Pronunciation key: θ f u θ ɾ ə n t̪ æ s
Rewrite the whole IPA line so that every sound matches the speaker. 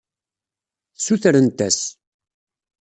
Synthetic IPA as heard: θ s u θ ɾ ə n t̪ æ s